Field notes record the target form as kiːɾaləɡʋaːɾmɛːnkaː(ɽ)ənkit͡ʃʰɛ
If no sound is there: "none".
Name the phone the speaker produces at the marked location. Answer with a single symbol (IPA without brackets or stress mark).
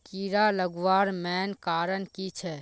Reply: ɾ